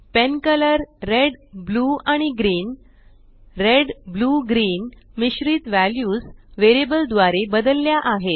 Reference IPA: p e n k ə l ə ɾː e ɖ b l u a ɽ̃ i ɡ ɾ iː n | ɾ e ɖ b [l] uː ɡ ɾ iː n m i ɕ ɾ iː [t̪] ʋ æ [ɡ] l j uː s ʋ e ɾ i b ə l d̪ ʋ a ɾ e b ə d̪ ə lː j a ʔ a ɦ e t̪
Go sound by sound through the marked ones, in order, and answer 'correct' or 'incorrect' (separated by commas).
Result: correct, correct, incorrect